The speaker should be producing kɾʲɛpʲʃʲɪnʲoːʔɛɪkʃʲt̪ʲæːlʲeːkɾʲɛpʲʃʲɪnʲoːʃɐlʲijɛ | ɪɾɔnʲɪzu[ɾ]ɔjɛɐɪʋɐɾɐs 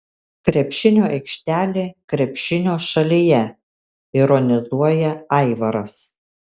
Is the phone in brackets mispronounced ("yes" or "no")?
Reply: yes